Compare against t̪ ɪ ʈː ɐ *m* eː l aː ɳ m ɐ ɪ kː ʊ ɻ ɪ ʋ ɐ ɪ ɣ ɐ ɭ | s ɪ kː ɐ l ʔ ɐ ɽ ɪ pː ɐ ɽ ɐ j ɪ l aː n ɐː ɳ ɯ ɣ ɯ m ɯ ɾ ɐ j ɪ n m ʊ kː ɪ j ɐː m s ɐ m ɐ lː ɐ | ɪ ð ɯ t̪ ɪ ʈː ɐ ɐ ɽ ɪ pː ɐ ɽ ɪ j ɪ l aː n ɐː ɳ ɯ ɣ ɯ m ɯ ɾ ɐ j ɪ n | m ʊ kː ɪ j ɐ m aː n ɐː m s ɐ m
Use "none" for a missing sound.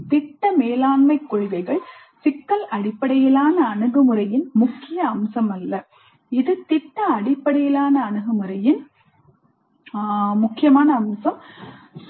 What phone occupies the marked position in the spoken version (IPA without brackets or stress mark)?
m